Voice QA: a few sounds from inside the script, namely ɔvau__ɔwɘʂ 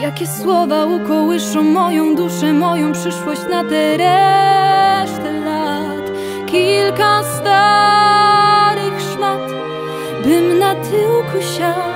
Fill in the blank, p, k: k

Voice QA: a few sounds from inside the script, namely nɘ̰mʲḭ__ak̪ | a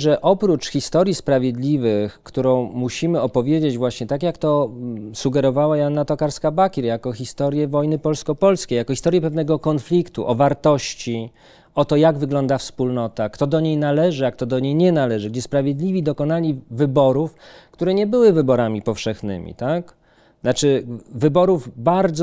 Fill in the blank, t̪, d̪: t̪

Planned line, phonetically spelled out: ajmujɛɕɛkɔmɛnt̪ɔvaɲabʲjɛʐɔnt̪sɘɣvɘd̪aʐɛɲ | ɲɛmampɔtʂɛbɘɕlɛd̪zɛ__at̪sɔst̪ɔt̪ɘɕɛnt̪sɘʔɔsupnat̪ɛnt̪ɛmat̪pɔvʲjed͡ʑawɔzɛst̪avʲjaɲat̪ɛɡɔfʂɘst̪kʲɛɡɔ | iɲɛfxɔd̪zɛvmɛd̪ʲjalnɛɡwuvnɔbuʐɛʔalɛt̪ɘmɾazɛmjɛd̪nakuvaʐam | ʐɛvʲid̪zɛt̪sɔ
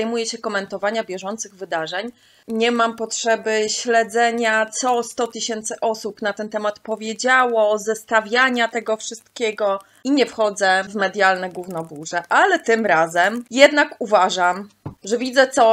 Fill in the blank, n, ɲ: ɲ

